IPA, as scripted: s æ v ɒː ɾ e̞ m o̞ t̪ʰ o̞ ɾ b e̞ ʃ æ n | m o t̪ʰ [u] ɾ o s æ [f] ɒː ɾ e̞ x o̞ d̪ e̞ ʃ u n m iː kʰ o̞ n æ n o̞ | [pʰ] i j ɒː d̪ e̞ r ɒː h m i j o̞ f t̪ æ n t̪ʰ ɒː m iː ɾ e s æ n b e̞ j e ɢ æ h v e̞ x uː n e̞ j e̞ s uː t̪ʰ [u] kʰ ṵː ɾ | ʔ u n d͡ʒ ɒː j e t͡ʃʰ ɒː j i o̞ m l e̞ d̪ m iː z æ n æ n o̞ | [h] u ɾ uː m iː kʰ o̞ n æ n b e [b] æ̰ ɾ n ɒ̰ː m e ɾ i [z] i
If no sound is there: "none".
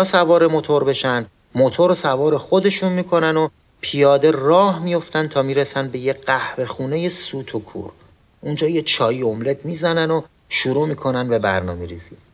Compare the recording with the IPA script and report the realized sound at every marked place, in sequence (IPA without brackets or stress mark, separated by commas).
o, v, pʰ, o, ʃ, b, z